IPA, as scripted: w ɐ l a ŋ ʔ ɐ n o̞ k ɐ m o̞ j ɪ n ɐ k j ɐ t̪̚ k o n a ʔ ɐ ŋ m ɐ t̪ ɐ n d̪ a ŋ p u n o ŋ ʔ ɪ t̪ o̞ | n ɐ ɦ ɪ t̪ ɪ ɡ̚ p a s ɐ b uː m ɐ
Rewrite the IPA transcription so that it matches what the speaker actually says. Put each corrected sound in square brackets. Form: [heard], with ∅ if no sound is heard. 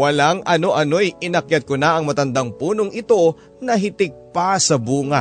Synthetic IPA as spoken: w ɐ l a ŋ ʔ ɐ n o̞ [ʔ] ɐ [n] o̞ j ɪ n ɐ k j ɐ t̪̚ k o n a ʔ ɐ ŋ m ɐ t̪ ɐ n d̪ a ŋ p [uː] n o ŋ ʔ ɪ t̪ o̞ | n ɐ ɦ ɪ t̪ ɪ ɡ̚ p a s ɐ b uː [ŋ] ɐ